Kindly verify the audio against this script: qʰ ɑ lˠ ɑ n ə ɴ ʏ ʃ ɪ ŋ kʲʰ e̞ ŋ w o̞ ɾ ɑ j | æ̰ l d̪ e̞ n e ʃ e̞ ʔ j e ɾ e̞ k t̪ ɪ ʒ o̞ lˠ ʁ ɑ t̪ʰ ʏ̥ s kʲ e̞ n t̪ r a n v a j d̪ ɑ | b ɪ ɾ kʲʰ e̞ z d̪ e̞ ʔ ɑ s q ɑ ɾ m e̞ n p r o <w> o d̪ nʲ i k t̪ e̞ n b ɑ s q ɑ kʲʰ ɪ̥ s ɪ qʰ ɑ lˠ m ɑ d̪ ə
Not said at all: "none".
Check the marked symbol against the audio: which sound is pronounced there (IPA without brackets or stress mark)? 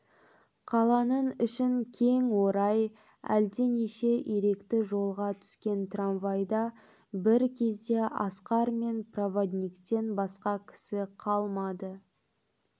v